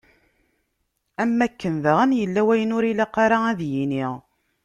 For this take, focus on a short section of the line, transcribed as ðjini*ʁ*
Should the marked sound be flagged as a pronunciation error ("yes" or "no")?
no